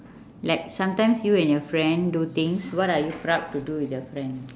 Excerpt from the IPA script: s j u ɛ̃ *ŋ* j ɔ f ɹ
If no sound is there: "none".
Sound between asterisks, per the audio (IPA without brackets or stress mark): n